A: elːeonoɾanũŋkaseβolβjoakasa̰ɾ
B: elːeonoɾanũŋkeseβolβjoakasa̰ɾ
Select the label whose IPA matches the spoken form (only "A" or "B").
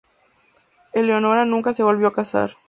A